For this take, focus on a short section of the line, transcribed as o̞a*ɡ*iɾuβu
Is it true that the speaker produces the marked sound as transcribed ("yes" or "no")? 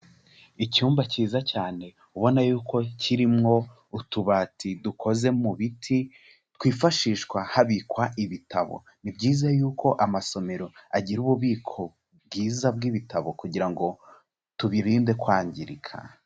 no